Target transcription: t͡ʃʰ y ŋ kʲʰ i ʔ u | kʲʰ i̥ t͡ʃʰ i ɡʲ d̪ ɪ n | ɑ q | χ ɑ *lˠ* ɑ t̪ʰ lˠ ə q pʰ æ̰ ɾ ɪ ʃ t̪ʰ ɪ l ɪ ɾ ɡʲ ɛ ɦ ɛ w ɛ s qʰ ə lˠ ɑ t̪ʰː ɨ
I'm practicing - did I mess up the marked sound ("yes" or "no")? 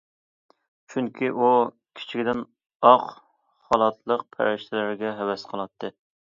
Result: no